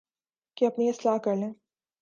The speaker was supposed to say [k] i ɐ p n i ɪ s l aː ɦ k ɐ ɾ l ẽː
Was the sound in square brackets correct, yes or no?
yes